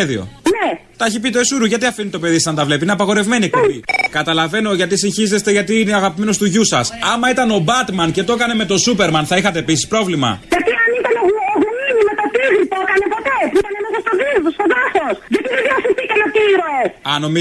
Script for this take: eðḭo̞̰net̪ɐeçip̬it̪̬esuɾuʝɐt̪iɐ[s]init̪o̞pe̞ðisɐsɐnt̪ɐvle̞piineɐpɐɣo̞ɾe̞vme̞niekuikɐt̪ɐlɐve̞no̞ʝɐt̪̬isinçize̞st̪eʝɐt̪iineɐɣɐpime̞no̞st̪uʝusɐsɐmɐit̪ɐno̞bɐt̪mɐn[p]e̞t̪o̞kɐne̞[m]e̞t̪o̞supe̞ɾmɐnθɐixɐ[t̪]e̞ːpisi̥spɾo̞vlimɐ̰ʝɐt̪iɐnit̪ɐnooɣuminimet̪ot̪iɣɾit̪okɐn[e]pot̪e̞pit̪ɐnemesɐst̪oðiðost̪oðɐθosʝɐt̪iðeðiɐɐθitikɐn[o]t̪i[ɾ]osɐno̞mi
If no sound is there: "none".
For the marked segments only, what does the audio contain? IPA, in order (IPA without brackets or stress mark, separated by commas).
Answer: f, c, m, t̪, e, o, ɾ